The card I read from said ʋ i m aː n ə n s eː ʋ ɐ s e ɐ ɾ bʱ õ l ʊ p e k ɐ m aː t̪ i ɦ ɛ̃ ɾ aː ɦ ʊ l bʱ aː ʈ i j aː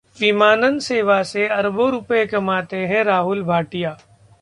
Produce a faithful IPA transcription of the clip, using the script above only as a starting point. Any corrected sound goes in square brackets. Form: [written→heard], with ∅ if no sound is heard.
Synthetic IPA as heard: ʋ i m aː n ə n s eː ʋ [ɐ→a] s e ɐ ɾ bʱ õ [l→ɾ] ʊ p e k ɐ m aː t̪ [i→e] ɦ ɛ̃ ɾ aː ɦ ʊ l bʱ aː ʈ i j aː